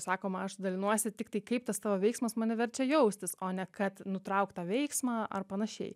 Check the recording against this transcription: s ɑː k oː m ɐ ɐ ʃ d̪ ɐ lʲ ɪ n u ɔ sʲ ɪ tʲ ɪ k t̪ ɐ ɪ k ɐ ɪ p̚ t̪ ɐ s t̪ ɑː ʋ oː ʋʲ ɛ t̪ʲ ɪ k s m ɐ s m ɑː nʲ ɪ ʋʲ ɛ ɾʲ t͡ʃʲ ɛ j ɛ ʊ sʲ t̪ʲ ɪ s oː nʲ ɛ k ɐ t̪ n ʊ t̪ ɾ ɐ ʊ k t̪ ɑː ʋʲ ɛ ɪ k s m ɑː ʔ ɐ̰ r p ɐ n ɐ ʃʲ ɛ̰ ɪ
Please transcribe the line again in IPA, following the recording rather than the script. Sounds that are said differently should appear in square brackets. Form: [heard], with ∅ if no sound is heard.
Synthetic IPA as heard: s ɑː k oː m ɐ ɐ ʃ d̪ ɐ lʲ ɪ n u ɔ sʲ ɪ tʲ ɪ k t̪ ɐ ɪ k ɐ ɪ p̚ t̪ ɐ s t̪ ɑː ʋ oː ʋʲ ɛ [∅] ɪ k s m ɐ s m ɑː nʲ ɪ ʋʲ ɛ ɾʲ t͡ʃʲ ɛ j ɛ ʊ sʲ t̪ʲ ɪ s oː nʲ ɛ k ɐ t̪ n ʊ t̪ ɾ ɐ ʊ k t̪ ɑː ʋʲ ɛ ɪ k s m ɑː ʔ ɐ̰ r p ɐ n ɐ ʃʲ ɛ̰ ɪ